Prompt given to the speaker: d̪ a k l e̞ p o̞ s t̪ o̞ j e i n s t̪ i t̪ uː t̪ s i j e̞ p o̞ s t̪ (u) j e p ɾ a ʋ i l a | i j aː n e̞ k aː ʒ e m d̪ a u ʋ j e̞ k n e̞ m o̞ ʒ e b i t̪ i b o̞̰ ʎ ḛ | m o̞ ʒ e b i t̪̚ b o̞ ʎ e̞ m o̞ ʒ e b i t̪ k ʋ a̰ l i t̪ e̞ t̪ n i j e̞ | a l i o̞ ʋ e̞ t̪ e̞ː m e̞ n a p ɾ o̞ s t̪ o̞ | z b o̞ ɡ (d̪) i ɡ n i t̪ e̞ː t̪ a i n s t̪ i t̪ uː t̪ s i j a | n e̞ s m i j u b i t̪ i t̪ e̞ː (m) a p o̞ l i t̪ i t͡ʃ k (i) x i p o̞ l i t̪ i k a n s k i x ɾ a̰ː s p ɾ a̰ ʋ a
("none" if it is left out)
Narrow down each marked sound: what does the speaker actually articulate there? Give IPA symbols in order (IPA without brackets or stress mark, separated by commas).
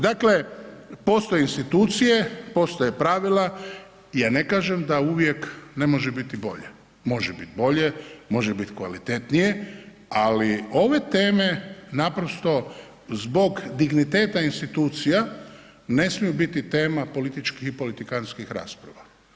o, d̪, m, i